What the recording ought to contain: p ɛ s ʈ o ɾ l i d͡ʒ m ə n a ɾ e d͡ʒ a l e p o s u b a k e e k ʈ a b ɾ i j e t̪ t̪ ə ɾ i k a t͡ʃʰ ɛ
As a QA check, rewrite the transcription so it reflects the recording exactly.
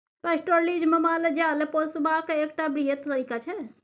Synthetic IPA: p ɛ s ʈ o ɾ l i d͡ʒ m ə m a l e d͡ʒ a l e p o s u b a k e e k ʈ a b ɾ i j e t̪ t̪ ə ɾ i k a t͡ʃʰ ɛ

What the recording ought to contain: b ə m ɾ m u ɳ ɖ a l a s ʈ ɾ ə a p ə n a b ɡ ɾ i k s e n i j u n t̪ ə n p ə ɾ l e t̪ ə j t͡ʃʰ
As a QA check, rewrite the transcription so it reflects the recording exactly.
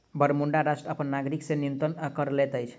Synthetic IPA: b ə ɾ m u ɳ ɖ a ɾ a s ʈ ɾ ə ə p ə nː a ɡ ɾ i k s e n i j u n t̪ ə n k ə ɾ l e t̪ ə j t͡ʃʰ

